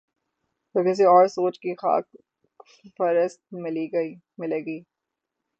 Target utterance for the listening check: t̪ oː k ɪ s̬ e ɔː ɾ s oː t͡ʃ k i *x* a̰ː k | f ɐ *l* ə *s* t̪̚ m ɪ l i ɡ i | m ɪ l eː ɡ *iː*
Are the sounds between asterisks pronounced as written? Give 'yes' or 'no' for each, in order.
yes, no, yes, yes

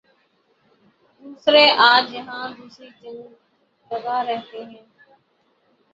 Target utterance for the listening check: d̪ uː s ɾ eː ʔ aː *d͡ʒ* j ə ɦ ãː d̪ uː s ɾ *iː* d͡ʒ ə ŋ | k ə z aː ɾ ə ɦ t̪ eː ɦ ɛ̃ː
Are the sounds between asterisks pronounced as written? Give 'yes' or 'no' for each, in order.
yes, yes

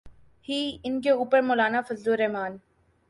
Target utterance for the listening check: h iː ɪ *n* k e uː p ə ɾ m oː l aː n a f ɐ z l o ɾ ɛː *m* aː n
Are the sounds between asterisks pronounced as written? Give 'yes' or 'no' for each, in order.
yes, yes

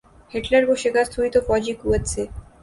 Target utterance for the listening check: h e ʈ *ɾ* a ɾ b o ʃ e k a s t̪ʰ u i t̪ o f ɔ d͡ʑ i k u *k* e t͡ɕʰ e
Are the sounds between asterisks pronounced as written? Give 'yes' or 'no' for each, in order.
no, no

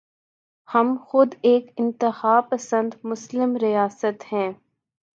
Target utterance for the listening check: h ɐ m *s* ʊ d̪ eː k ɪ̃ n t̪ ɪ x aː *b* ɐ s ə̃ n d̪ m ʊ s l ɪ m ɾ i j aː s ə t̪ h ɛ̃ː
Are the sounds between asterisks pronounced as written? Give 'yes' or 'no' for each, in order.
no, no

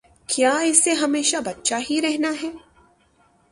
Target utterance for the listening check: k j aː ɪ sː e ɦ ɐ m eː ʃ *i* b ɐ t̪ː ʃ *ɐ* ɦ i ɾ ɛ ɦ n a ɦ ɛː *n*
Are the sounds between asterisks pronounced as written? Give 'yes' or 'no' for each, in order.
no, no, no

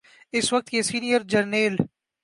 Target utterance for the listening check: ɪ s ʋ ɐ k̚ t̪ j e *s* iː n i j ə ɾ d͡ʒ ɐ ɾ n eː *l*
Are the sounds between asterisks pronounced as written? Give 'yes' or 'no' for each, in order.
yes, yes

